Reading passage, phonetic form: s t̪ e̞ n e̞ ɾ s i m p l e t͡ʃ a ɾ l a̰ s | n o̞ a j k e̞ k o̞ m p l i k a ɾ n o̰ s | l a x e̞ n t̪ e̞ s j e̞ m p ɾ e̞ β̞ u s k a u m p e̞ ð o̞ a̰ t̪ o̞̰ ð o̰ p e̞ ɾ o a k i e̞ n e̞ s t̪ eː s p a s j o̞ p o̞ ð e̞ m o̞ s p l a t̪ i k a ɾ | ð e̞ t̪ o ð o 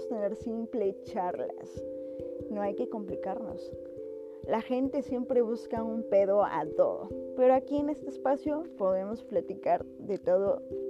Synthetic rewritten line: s t̪ e̞ n e̞ ɾ s i m p l e t͡ʃ a ɾ l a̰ s | n o̞ a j k e̞ k o̞ m p l i k a ɾ n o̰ s | l a x e̞ n t̪ e̞ s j e̞ m p ɾ e̞ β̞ u s k a u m p e̞ ð o̞ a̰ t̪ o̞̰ ð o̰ p e̞ ɾ o a k i e̞ n e̞ s t̪ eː s p a s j o̞ p o̞ ð e̞ m o̞ s p l a t̪ i k a ɾ | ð e̞ t̪ o ð o